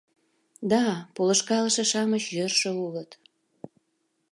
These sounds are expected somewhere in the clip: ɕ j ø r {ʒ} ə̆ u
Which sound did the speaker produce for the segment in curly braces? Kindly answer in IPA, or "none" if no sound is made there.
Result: ʃ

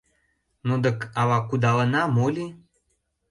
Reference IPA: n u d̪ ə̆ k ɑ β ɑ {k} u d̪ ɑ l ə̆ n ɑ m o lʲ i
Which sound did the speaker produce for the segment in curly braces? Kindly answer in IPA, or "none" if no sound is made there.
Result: k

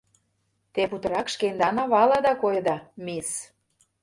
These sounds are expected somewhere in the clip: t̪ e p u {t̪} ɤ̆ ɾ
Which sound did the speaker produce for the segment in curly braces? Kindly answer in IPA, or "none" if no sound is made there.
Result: t̪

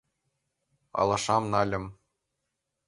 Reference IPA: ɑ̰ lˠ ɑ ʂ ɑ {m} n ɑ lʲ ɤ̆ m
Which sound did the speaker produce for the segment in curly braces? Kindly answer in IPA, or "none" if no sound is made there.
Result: m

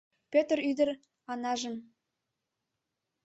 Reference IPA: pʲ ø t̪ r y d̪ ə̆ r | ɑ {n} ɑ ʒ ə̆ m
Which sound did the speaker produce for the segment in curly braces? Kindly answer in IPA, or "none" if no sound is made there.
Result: n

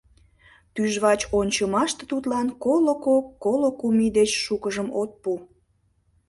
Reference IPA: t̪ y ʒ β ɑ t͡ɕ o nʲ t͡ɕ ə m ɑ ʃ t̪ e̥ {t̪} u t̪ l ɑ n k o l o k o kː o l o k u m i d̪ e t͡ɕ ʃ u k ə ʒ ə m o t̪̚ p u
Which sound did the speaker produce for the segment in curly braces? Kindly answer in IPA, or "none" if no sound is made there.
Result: t̪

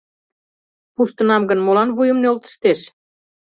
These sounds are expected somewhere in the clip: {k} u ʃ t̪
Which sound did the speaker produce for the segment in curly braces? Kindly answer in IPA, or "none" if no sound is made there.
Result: p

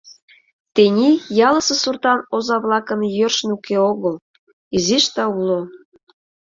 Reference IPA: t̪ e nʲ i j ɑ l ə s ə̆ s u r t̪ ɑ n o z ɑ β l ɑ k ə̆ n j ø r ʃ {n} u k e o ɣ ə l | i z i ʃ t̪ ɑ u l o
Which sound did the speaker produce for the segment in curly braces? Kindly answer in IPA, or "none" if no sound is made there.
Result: n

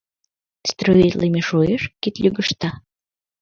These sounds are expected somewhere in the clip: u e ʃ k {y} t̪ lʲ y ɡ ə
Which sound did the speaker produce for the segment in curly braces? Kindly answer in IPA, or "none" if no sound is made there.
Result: i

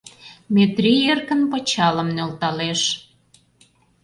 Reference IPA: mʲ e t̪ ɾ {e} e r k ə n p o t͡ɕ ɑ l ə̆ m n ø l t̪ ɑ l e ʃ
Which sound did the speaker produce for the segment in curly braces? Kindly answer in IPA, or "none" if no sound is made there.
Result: i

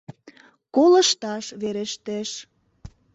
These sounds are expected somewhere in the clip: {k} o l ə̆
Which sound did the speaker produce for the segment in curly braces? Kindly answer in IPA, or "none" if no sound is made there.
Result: k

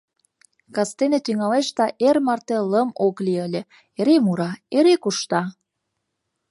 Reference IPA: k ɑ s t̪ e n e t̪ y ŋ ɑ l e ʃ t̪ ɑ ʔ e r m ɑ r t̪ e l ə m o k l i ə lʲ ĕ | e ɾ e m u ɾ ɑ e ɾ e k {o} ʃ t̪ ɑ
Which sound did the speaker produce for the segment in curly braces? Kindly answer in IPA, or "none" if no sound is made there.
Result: u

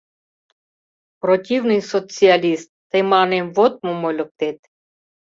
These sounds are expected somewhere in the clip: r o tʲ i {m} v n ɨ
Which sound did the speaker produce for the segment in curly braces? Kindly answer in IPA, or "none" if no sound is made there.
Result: none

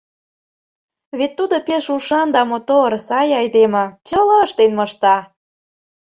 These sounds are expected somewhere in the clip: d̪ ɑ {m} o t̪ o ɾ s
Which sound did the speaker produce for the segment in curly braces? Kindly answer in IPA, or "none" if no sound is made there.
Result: m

